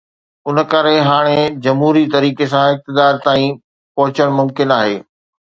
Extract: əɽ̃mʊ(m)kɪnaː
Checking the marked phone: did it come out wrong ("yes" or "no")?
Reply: no